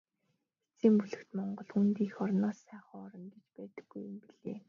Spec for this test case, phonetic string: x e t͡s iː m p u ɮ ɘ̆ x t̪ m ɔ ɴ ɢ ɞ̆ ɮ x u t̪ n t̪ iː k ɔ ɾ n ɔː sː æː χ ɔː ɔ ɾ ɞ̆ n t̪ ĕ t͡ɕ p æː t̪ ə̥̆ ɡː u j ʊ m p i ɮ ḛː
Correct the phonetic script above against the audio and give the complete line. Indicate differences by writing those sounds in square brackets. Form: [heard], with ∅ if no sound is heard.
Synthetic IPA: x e t͡s iː m p u ɮ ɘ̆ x t̪ m ɔ ɴ ɢ ɞ̆ ɮ x u [∅] n t̪ iː [x] ɔ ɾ n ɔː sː æː χ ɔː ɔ ɾ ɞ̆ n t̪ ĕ t͡ɕ p æː t̪ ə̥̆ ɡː u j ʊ m p i ɮ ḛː